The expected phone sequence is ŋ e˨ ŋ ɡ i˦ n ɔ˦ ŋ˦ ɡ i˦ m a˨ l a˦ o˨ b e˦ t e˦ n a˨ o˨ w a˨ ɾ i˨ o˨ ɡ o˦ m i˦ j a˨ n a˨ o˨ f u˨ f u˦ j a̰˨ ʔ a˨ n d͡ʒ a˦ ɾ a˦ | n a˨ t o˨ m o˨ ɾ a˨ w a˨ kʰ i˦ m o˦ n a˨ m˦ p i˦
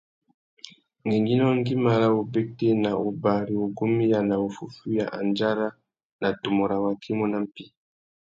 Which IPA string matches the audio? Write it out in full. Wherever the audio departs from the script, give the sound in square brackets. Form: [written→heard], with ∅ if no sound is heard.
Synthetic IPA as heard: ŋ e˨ ŋ ɡ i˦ n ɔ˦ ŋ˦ ɡ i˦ m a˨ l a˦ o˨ b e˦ t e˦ n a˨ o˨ [w→b] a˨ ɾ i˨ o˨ ɡ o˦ m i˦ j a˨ n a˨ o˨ f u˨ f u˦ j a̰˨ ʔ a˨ n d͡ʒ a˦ ɾ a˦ | n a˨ t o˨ m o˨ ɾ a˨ w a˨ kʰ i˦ m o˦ n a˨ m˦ p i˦